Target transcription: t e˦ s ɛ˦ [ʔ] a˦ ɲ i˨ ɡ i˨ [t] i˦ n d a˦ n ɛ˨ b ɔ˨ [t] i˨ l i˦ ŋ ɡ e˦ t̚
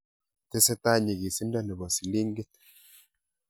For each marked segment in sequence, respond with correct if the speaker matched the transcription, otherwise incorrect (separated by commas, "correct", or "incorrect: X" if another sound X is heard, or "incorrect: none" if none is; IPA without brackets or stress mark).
incorrect: t, incorrect: s, incorrect: s